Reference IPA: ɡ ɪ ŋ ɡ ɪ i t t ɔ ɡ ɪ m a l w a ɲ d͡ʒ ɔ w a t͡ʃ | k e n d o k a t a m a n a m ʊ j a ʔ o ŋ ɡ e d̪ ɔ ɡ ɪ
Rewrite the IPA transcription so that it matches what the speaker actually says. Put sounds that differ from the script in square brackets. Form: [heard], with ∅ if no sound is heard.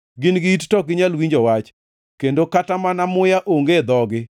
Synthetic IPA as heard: ɡ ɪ [n] ɡ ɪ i t t ɔ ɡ ɪ [ɲ] a l w [i] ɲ d͡ʒ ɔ w a t͡ʃ | k e n d o k a t a m a n a m ʊ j a ʔ o ŋ ɡ e d̪ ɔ ɡ ɪ

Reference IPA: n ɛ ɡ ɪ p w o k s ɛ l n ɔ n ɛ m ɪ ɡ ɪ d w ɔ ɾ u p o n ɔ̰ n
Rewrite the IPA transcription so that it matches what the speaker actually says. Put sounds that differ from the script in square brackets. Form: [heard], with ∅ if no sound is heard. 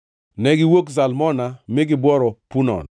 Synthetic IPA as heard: n ɛ ɡ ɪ [∅] w o k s [a] l [m] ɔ n [a] m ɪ ɡ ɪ [b] w ɔ ɾ [ɔ] p [u] n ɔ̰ n

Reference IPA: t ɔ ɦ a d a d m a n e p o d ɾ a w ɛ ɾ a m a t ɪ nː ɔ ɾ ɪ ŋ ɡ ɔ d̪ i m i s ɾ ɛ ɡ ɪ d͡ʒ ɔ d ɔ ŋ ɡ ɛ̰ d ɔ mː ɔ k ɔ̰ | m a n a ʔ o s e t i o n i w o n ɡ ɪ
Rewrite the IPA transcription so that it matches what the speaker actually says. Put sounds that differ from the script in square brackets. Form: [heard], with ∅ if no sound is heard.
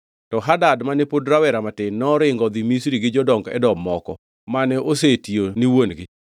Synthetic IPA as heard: t ɔ ɦ a d a d m a n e p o d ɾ a w ɛ ɾ a m a t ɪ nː ɔ ɾ ɪ ŋ ɡ ɔ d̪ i m i s ɾ [i] ɡ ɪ d͡ʒ ɔ d ɔ ŋ ɡ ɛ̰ d ɔ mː ɔ k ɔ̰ | m a n [ɛ] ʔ o s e t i o n i w o n ɡ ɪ

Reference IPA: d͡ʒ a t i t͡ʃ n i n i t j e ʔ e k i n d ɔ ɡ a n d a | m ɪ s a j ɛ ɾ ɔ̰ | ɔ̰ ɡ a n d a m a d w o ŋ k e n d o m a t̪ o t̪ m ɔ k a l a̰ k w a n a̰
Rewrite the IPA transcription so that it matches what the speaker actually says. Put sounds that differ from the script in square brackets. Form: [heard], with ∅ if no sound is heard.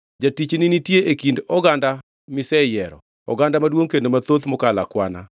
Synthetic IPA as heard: d͡ʒ a t i t͡ʃ n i n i t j e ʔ e k i n d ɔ ɡ a n d a | m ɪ s [ɛ] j ɛ ɾ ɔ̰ | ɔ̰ ɡ a n d a m a d w o ŋ k e n d o m a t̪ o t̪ m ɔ k a l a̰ k w a n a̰

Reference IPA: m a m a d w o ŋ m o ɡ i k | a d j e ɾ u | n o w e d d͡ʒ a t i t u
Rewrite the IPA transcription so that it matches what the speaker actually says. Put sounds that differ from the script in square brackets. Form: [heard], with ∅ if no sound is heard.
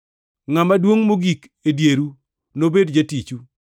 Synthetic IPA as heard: [ŋ] a m a d w o ŋ m o ɡ i k | [e] d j e ɾ u | n o [b] e d d͡ʒ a t i [t͡ʃ] u

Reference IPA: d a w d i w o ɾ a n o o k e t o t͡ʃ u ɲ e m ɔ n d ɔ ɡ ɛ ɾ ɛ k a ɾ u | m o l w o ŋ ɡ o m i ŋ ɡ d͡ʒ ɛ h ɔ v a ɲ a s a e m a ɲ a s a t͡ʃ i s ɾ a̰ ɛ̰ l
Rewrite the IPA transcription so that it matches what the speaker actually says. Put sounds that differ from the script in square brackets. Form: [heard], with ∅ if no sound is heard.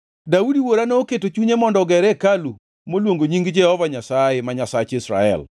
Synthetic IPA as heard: d a [u] d i w o ɾ a n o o k e t o t͡ʃ u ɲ e m ɔ n d ɔ ɡ ɛ ɾ ɛ k a [l] u | m o l w o ŋ ɡ o [ɲ] i ŋ ɡ d͡ʒ ɛ h ɔ v a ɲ a s a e m a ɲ a s a t͡ʃ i s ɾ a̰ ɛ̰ l

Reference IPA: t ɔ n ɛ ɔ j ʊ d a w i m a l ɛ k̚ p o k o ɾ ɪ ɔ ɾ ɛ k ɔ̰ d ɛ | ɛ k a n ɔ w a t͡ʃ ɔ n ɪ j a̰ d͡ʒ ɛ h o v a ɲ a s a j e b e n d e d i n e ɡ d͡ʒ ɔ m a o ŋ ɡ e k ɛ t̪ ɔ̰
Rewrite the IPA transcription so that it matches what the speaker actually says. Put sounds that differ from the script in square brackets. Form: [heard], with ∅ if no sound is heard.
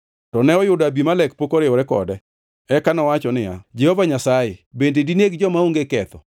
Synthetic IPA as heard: t ɔ n ɛ ɔ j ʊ d a [b] i m a l ɛ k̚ p o k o ɾ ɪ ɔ ɾ ɛ k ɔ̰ d ɛ | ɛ k a n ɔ w a t͡ʃ ɔ n ɪ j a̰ d͡ʒ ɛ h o v a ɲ a s a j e b e n d e d i n e ɡ d͡ʒ ɔ m a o ŋ ɡ e k ɛ t̪ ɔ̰

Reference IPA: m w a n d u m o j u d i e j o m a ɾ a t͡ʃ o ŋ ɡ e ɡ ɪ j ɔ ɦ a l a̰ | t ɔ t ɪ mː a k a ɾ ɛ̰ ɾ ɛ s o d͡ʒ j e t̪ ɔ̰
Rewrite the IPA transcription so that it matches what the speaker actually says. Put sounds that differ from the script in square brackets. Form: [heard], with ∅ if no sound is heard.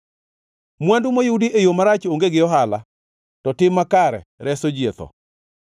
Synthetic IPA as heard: m w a n d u m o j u d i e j o m a ɾ a t͡ʃ o ŋ ɡ e ɡ ɪ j ɔ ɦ a l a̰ | t ɔ t ɪ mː a k a ɾ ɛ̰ ɾ ɛ s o d͡ʒ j e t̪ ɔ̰

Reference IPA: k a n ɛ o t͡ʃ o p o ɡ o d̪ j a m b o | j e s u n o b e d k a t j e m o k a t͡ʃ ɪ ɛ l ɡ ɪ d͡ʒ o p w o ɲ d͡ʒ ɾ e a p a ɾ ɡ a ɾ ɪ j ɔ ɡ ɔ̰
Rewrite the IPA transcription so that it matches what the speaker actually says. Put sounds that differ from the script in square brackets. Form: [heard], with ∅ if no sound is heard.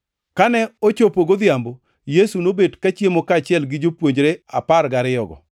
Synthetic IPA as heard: k a n ɛ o t͡ʃ o p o ɡ o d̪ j a m b o | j e s u n o b e d k a [t͡ʃ] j e m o k a t͡ʃ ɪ ɛ l ɡ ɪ d͡ʒ o p w o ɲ d͡ʒ ɾ e a p a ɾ ɡ a ɾ ɪ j ɔ ɡ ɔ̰

